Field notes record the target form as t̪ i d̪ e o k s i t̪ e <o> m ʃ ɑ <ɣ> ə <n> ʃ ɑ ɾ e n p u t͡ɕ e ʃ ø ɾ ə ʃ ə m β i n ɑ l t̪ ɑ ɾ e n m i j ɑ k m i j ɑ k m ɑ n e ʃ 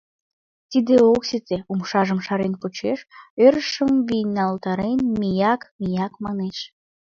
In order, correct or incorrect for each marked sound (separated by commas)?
incorrect, incorrect, incorrect